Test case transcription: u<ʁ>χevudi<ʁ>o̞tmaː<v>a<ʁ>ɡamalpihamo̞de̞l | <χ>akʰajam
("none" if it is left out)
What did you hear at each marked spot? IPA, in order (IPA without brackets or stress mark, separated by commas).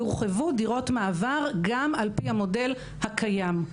ʁ, ʁ, v, ʁ, h